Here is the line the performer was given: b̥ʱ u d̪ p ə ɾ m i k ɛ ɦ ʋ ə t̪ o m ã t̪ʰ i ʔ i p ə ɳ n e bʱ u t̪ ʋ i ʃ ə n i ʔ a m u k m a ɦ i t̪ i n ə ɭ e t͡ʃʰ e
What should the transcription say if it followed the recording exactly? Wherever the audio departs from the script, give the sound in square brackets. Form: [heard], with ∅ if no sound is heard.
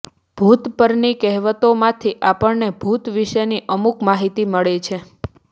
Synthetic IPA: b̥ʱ u [t̪] p ə ɾ [n] i k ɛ ɦ ʋ ə t̪ o m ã t̪ʰ i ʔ [a] p ə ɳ n e bʱ u t̪ ʋ i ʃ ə n i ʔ [ə] m u k m a ɦ i t̪ i [m] ə ɭ e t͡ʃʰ e